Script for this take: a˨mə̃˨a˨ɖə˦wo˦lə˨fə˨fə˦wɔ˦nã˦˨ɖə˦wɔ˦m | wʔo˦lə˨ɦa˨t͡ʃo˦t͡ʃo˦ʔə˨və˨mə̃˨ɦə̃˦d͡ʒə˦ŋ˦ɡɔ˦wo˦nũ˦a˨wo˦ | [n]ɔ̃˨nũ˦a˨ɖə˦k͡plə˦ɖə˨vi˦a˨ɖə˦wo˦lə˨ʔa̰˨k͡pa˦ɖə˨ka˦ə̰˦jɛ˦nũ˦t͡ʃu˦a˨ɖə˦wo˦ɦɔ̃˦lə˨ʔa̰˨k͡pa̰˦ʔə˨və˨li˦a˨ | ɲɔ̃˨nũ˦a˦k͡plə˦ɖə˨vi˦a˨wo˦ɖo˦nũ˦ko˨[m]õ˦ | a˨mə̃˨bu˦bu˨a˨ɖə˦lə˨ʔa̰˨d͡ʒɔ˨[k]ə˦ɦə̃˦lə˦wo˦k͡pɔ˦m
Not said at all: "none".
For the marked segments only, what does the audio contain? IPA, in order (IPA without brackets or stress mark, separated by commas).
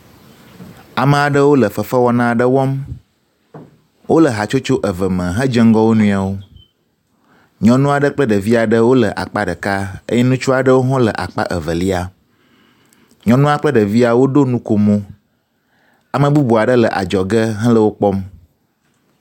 ɲ, m, ɡ